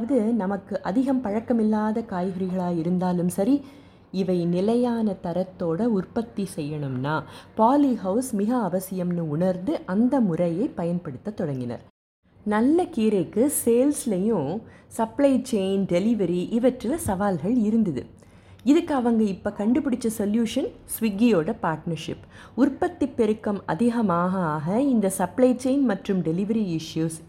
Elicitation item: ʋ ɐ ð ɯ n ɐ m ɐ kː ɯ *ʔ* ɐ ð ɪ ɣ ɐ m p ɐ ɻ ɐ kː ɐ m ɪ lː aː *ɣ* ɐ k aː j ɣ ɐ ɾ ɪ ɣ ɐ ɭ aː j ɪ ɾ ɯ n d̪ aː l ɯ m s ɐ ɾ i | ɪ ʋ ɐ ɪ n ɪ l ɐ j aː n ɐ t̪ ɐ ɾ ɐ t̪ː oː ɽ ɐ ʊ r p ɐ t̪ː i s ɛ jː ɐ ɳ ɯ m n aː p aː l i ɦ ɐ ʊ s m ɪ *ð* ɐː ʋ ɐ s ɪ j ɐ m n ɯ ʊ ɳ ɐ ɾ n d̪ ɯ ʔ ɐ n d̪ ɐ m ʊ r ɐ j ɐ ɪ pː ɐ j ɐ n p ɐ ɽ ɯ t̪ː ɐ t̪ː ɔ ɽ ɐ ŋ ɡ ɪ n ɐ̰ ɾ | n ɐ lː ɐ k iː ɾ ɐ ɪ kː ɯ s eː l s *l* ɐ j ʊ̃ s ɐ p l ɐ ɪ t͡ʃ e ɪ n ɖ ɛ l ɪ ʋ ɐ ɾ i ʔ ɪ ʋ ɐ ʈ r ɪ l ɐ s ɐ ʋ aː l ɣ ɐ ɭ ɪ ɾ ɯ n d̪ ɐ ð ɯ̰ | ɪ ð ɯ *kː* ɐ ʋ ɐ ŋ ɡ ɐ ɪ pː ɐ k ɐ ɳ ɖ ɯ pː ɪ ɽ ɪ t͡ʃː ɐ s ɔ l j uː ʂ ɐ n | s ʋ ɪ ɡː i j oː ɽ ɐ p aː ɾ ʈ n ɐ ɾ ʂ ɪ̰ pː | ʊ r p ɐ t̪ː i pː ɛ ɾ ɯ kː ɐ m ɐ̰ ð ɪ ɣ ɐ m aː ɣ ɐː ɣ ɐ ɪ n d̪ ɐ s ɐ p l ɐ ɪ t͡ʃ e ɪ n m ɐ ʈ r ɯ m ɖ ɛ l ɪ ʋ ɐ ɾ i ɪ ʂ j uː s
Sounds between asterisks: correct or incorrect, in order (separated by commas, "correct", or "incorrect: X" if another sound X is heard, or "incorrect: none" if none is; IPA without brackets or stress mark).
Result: correct, incorrect: ð, incorrect: ɣ, correct, correct